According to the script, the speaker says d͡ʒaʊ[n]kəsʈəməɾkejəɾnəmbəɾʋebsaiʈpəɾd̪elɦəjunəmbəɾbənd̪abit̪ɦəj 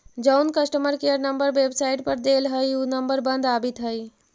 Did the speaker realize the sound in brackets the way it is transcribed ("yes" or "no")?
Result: yes